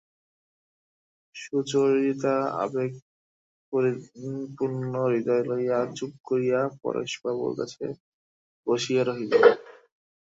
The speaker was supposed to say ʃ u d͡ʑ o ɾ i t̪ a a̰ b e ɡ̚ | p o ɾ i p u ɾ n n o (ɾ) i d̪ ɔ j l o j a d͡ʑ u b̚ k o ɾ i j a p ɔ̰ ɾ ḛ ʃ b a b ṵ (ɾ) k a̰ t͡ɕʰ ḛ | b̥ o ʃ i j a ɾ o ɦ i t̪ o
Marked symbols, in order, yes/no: yes, yes

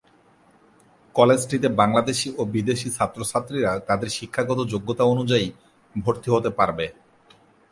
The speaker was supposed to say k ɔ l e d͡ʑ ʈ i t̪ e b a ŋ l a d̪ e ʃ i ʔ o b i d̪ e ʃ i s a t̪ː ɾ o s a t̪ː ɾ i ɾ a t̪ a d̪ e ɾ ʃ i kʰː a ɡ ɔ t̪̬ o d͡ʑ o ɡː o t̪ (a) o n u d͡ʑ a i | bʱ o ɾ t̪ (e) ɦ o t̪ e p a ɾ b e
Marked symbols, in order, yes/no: yes, no

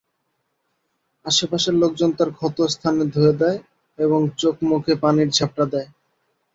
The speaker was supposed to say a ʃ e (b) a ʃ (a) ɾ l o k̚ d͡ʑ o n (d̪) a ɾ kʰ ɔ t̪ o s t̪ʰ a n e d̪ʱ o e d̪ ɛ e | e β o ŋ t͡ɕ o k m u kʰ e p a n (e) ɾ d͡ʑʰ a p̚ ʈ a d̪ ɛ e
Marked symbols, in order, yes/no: no, no, no, no

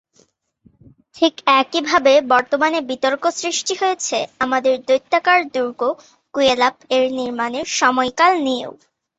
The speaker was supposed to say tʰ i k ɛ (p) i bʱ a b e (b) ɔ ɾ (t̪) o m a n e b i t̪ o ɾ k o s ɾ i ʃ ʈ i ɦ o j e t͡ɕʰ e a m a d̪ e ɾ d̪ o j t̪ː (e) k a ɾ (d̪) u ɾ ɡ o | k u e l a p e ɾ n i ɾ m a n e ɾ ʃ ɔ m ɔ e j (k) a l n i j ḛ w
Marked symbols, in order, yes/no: no, yes, yes, no, yes, yes

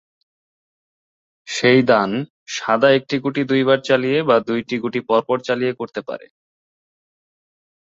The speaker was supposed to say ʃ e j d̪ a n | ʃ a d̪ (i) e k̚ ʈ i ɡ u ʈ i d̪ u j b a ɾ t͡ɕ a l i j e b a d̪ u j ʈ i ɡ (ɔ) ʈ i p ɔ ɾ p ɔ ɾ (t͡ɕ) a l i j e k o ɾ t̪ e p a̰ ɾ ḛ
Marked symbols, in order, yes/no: no, no, yes

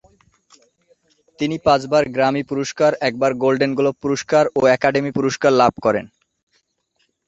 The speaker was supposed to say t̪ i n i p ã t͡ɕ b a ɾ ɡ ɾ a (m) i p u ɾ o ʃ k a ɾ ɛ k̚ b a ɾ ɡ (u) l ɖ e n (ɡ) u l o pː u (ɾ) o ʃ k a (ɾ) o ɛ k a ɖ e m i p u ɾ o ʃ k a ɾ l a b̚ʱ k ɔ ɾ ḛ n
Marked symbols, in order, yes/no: yes, no, yes, yes, yes

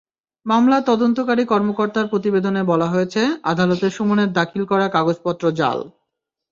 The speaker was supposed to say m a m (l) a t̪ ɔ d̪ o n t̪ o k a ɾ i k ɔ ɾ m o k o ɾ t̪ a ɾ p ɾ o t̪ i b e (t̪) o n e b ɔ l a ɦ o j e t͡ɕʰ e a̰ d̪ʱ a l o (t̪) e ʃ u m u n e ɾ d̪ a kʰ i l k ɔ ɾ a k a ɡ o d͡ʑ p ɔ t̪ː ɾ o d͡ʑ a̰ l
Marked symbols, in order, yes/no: yes, no, yes

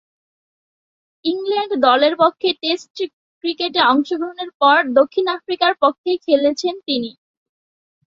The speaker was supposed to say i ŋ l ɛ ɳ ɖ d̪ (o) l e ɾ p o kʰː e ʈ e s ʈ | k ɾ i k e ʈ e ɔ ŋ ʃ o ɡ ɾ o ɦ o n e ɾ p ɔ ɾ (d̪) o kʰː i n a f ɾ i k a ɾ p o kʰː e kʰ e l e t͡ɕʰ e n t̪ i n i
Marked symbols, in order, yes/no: no, yes

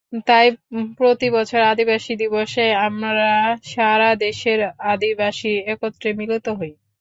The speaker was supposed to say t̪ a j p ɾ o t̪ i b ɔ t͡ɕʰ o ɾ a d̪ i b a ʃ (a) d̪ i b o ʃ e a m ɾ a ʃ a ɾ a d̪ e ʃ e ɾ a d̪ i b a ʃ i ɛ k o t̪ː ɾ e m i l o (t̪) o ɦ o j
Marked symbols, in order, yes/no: no, yes

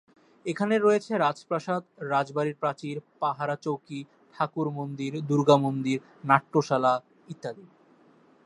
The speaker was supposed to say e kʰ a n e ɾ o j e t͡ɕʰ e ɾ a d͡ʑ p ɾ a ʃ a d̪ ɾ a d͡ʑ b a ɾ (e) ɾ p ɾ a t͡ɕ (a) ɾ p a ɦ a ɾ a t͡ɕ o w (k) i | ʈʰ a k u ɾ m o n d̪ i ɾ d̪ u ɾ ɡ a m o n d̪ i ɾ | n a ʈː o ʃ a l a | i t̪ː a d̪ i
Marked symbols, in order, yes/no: no, no, yes

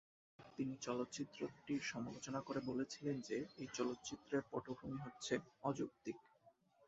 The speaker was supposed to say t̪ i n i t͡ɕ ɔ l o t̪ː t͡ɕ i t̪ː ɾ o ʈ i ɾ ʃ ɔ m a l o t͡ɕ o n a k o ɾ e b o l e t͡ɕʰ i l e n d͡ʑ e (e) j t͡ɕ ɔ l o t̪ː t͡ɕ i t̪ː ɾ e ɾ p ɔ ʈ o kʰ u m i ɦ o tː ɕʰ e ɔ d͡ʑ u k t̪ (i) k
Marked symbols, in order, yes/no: yes, yes

